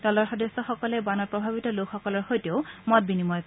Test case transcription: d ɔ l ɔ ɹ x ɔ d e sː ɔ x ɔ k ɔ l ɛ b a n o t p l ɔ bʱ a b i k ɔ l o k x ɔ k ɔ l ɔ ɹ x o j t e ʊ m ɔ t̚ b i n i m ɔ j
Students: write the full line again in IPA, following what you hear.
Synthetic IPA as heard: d ɔ l ɔ ɹ x ɔ d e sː ɔ x ɔ k ɔ l ɛ b a n ɔ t p ɹ ɔ bʱ a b i t ɔ l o k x ɔ k ɔ l ɔ ɹ x o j t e ʊ m ɔ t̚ b i n i m ɔ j

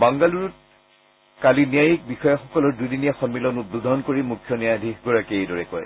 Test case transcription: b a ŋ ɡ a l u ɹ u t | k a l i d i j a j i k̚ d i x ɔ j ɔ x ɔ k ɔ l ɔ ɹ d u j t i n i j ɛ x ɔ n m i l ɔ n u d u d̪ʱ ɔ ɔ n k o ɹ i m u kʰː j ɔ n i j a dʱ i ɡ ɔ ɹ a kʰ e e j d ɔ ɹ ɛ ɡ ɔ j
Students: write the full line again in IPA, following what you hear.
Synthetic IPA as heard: b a ŋ ɡ a l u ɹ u t | k a l i n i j a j i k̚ b i x ɔ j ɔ x ɔ k ɔ l ɔ ɹ d u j d i n i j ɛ x ɔ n m i l ɔ n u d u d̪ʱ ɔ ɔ n k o ɹ i m u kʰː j ɔ n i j a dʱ i ɡ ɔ ɹ a k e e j d ɔ ɹ ɛ k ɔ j

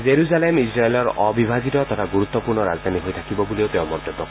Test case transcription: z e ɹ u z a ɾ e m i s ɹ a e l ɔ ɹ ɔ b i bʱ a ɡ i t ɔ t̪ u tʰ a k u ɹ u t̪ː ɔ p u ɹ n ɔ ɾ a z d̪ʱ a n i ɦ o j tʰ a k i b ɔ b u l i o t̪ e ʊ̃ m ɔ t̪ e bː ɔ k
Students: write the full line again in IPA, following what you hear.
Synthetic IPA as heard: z e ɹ u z a l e m i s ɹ a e l ɔ ɹ ɔ b i bʱ a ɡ i t ɔ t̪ ɔ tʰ a ɡ u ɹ u t̪ː ɔ p u ɹ n ɔ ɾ a z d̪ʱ a n i ɦ o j tʰ a k i b ɔ b u l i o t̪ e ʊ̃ m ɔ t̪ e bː ɔ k

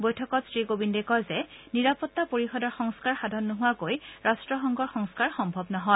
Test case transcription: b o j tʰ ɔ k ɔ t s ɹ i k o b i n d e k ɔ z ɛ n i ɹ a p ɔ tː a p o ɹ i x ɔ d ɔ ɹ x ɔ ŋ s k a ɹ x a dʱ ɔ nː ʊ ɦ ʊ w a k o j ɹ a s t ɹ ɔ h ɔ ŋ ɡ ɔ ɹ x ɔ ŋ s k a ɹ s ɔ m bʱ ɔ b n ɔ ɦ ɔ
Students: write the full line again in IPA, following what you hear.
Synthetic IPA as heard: b o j tʰ ɔ k ɔ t s ɹ i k o b i n d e k ɔ z ɛ n i ɹ a p ɔ tː a p o ɹ i x ɔ d ɔ ɹ x ɔ ŋ s k a ɹ x a dʱ ɔ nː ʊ ɦ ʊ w a k o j ɹ a s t ɹ ɔ x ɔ ŋ ɡ ɔ ɹ x ɔ ŋ s k a ɹ x ɔ m bʱ ɔ b n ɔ ɦ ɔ

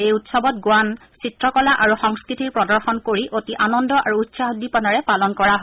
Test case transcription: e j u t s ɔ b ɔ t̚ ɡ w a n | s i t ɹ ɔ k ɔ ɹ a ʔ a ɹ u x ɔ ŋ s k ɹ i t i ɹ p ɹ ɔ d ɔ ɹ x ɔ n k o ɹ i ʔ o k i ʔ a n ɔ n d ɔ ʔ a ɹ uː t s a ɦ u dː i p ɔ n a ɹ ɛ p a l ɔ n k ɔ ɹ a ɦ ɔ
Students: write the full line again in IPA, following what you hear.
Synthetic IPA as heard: e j u t s ɔ b ɔ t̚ ɡ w a n | s i t ɹ ɔ k ɔ l a ʔ a ɹ u x ɔ ŋ s k ɹ i t i ɹ p ɹ ɔ d ɔ ɹ x ɔ n k o ɹ i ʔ o t i ʔ a n ɔ n d ɔ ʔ a ɹ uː t s a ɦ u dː i p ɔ n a ɹ ɛ p a l ɔ n k ɔ ɹ a ɦ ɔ

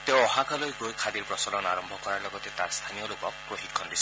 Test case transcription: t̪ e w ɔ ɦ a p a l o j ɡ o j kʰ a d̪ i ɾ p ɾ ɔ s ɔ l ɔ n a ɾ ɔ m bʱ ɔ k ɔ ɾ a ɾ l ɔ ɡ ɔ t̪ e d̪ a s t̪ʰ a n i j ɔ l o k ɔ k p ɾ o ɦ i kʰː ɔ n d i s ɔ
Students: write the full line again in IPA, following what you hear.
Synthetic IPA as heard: t̪ e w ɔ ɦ a k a l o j ɡ o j kʰ a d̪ i ɾ p ɾ ɔ s ɔ l ɔ n a ɾ ɔ m bʱ ɔ k ɔ ɾ a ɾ l ɔ ɡ ɔ t̪ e t̪ a s t̪ʰ a n i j ɔ l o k ɔ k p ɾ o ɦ i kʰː ɔ n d i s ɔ

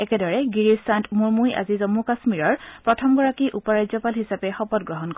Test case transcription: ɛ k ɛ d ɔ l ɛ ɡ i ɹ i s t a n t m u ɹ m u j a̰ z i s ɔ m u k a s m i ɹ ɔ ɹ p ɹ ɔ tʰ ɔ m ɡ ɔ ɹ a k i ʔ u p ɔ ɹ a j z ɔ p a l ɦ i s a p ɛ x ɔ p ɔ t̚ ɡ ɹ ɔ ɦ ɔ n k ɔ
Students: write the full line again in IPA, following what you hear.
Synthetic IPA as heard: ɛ k ɛ d ɔ ɹ ɛ ɡ i ɹ i s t a n t m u ɹ m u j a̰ z i z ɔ m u k a s m i ɹ ɔ ɹ p ɹ ɔ tʰ ɔ m ɡ ɔ ɹ a k i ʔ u p ɔ ɹ a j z ɔ p a l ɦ i s a p ɛ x ɔ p ɔ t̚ ɡ ɹ ɔ ɦ ɔ n k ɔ

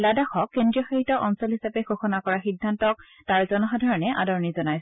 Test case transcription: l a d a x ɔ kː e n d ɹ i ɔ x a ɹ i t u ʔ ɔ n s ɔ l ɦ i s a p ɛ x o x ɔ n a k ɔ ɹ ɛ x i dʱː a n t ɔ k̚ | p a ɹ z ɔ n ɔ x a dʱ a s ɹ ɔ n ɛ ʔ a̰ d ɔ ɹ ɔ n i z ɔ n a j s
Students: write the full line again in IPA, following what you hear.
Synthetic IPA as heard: l a d a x ɔ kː e n d ɹ i ɔ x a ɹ i t ɔ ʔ ɔ n s ɔ l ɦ i s a p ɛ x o x ɔ n a k ɔ ɹ a x i dʱː a n t ɔ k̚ | t a ɹ z ɔ n ɔ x a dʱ a ɹ ɔ n ɛ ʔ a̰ d ɔ ɹ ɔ n i z ɔ n a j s

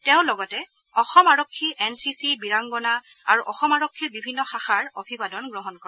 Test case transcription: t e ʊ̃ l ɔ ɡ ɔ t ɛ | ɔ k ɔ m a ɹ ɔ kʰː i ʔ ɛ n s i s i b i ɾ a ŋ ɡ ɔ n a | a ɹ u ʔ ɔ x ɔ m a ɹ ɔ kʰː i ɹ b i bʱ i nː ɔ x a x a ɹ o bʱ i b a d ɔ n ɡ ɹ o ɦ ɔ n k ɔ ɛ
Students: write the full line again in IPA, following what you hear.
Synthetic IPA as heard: t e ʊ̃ l ɔ ɡ ɔ t ɛ | ɔ x ɔ m a ɹ ɔ kʰː i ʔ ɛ n s i s i b i ɹ a ŋ ɡ ɔ n a | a ɹ u ʔ ɔ x ɔ m a ɹ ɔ kʰː i ɹ b i bʱ i nː ɔ x a x a ɹ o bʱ i b a d ɔ n ɡ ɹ ɔ ɦ ɔ n k ɔ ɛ

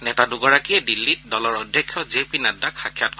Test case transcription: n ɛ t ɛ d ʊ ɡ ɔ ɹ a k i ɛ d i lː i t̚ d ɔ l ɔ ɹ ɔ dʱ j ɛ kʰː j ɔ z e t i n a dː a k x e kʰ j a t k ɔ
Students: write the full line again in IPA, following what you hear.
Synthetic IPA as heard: n ɛ t a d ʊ ɡ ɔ ɹ a k i ɛ d i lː i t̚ d ɔ l ɔ ɹ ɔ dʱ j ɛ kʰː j ɔ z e p i n a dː a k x a kʰ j a t k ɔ

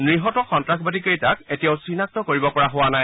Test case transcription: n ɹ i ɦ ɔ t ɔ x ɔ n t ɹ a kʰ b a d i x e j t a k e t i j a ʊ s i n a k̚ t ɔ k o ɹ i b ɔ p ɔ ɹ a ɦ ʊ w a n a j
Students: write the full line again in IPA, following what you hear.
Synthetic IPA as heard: n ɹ i ɦ ɔ t ɔ x ɔ n t ɹ a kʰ b a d i k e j t a k e t i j a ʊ s i n a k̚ t ɔ k o ɹ i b ɔ p ɔ ɹ a ɦ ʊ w a n a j

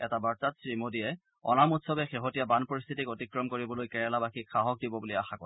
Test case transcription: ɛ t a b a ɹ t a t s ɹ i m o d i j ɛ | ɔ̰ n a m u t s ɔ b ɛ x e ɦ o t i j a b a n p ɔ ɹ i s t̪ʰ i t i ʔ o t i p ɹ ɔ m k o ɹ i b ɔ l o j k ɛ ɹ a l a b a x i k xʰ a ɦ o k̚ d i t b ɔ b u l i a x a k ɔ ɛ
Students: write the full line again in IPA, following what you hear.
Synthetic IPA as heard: ɛ t a b a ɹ t a t s ɹ i m o d i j ɛ | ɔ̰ n a m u t s ɔ b ɛ x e ɦ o t i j a b a n p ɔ ɹ i s t̪ʰ i t i k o t i k ɹ ɔ m k o ɹ i b ɔ l o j k ɛ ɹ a l a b a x i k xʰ a ɦ ɔ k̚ d i b ɔ b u l i a x a k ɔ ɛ

